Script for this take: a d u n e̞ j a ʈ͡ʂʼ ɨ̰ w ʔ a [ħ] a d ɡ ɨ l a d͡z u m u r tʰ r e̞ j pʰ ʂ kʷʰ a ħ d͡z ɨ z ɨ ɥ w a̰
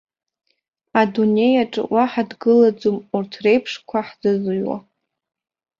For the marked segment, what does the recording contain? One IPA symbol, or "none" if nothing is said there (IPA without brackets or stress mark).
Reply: ħ